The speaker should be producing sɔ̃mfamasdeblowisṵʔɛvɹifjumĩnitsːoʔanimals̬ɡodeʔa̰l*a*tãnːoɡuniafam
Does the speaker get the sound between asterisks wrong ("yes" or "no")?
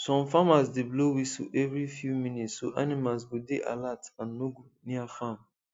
no